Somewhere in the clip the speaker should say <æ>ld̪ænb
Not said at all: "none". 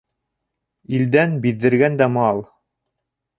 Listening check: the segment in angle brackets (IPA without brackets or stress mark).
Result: i